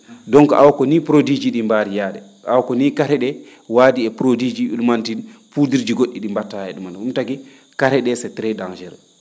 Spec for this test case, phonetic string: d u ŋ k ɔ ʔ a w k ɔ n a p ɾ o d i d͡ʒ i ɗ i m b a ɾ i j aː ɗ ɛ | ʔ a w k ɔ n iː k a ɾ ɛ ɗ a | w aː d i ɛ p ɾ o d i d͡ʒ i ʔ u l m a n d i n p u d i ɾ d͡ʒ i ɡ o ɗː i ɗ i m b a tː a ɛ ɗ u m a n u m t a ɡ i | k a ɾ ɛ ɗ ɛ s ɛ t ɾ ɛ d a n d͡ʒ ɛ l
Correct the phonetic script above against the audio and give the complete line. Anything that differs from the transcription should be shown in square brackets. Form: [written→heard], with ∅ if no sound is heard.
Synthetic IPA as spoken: d [u→ɔ] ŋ k ɔ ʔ a w k ɔ n [a→i] p ɾ o d i d͡ʒ i ɗ i m b a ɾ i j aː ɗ ɛ | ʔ a w k ɔ n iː k a ɾ ɛ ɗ [a→ɛ] | w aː d i ɛ p ɾ o d i d͡ʒ i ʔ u l m a n [d→t] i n p u d i ɾ d͡ʒ i ɡ o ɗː i ɗ i m b a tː a ɛ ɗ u m a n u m t a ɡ i | k a ɾ ɛ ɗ ɛ s ɛ t ɾ ɛ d a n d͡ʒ ɛ [l→ɾ]